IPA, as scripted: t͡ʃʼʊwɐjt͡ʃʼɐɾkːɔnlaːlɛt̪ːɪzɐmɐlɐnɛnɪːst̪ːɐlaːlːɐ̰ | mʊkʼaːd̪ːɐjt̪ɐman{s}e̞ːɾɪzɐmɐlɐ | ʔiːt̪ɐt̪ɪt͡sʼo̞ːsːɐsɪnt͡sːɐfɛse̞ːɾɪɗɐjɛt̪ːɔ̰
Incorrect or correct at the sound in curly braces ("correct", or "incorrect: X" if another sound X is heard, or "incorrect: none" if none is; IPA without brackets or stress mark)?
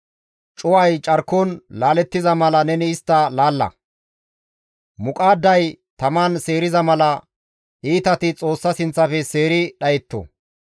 correct